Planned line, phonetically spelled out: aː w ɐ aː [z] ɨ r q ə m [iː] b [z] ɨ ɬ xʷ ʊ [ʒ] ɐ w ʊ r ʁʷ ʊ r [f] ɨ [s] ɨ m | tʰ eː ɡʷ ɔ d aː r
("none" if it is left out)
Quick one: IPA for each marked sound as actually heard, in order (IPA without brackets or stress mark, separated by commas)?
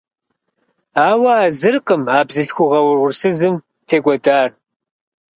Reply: z, aː, z, ʁ, s, z